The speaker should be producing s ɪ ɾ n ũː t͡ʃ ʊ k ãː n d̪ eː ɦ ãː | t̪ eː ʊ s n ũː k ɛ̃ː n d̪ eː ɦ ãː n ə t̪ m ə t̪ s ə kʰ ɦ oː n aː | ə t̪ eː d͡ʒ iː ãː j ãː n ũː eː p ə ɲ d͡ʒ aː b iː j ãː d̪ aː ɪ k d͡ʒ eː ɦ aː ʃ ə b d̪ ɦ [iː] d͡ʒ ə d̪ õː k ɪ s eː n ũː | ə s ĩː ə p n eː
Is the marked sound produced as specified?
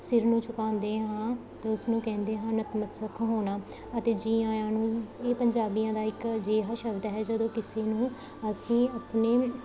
no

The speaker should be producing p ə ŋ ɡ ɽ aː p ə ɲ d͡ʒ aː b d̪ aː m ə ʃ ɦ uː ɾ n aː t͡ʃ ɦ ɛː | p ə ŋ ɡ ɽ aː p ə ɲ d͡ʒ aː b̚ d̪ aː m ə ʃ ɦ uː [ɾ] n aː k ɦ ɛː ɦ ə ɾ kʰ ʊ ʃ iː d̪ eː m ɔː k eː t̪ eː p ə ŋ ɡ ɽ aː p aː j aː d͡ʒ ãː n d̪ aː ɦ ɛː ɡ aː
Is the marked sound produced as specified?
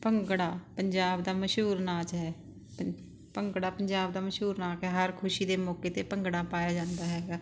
yes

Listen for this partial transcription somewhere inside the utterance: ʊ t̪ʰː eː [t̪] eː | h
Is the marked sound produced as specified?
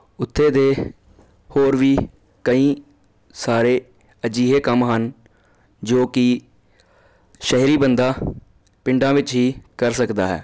no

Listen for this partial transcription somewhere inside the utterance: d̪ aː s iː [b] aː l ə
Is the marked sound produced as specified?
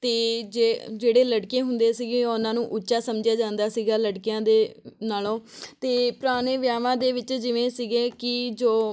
no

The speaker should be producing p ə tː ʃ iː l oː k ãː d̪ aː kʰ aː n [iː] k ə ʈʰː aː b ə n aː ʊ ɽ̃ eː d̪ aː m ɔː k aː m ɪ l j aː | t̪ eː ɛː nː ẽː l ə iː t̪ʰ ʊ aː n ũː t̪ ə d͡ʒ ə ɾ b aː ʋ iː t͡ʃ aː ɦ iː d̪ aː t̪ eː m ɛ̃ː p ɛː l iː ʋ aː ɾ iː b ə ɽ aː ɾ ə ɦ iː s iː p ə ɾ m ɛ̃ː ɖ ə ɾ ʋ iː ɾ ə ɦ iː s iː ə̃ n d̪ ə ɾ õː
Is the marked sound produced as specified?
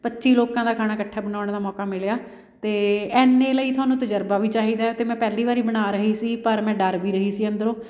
no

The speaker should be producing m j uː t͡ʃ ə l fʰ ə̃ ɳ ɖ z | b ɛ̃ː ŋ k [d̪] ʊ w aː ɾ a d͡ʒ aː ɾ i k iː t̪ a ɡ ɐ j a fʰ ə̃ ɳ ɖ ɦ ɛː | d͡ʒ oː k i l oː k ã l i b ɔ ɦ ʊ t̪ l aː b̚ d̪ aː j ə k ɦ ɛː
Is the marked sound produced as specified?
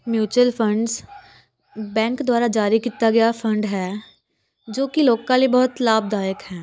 yes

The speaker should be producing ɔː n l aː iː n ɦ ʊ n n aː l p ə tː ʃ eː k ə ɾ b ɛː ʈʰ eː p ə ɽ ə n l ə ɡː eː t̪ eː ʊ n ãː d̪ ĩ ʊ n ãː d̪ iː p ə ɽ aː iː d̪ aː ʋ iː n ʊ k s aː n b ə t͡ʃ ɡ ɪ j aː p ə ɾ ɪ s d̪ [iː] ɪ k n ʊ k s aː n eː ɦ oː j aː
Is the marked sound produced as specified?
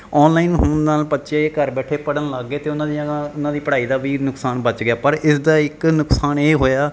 no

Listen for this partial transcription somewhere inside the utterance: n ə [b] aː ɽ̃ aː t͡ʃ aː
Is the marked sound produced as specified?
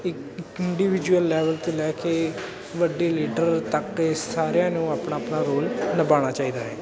yes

